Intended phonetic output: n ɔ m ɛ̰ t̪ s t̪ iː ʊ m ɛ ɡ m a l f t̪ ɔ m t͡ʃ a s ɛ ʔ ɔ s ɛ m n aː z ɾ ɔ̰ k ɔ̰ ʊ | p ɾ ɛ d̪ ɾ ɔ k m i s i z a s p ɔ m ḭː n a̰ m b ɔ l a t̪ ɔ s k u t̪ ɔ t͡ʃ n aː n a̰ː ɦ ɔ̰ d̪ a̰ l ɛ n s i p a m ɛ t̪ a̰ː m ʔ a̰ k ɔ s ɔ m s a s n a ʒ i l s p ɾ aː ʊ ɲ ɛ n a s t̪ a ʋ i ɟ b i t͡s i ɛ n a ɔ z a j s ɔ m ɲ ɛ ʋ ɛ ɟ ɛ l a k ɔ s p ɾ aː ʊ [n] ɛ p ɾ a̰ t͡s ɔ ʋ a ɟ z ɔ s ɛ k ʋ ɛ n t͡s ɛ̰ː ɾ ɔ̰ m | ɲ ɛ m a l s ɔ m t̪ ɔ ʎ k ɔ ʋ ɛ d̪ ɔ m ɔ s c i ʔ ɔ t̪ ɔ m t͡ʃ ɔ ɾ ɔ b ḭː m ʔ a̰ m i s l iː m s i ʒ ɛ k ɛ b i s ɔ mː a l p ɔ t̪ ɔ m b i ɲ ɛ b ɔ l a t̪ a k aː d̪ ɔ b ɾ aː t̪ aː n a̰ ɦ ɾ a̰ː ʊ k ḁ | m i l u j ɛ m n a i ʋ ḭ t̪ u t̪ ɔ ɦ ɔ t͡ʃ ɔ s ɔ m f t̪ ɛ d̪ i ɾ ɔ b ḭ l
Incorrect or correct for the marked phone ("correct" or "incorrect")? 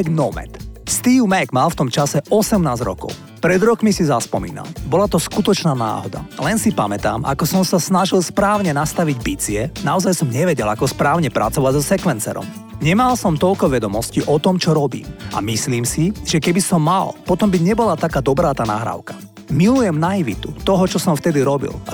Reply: incorrect